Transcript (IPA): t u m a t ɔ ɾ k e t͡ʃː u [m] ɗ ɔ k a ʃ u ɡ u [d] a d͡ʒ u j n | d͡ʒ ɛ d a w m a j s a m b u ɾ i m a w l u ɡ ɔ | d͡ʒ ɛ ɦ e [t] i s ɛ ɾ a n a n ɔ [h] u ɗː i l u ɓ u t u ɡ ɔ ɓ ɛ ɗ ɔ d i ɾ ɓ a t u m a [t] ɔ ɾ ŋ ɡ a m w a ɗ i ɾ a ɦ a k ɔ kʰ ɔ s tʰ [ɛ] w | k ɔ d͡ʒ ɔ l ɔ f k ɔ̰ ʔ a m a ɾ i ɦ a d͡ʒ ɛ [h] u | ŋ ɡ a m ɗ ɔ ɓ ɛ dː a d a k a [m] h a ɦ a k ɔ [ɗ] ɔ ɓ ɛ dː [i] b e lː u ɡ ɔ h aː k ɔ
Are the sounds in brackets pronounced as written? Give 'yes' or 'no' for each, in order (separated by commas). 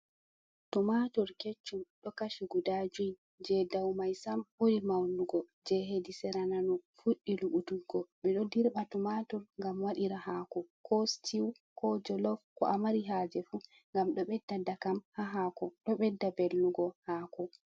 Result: yes, yes, no, no, yes, no, no, yes, yes, no